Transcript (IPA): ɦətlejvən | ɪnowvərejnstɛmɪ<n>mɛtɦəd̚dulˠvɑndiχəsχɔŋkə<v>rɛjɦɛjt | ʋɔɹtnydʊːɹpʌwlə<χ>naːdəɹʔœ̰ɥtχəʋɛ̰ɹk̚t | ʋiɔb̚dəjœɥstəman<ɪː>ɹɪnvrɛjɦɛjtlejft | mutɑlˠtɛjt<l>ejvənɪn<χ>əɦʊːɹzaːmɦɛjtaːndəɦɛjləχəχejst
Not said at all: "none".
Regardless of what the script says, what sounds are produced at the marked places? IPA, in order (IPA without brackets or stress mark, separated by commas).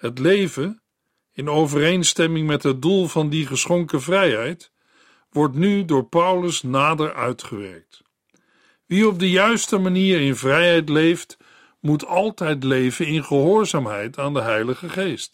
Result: ŋ, v, s, iː, l, χ